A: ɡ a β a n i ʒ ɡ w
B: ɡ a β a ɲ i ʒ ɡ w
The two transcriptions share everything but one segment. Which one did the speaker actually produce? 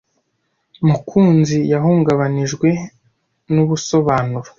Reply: A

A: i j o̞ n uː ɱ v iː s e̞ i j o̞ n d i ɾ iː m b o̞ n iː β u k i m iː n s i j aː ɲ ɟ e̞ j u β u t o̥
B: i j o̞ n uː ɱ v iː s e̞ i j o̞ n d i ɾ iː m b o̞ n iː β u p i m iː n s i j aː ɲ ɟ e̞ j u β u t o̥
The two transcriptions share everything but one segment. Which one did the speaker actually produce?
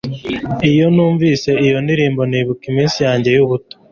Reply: A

